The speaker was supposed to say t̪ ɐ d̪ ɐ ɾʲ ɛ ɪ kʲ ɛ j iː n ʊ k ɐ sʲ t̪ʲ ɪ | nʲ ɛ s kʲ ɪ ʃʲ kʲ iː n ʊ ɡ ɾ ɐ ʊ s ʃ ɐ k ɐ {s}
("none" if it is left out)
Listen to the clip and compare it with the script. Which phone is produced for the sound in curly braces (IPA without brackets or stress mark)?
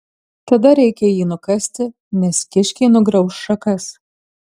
s